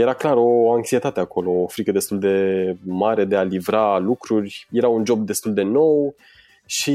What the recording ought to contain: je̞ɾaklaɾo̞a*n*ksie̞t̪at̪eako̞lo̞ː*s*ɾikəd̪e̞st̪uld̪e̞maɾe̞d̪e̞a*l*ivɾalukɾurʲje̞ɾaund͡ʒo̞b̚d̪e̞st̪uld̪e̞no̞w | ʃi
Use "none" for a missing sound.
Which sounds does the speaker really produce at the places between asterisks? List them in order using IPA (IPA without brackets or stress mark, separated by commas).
ŋ, f, l